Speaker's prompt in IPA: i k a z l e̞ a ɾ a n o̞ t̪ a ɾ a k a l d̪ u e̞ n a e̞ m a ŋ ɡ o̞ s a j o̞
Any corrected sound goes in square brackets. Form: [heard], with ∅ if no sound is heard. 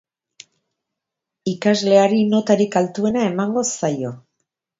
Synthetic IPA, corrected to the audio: i k a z l e̞ a ɾ [i] n o̞ t̪ a ɾ [i] k a l [t̪] u e̞ n a e̞ m a ŋ ɡ o̞ s a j o̞